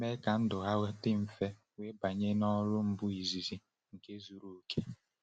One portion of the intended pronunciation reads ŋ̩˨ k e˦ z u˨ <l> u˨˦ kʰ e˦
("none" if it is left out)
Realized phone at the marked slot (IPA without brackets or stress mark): ɾ